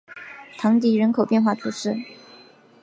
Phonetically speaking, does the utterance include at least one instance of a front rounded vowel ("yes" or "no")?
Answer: no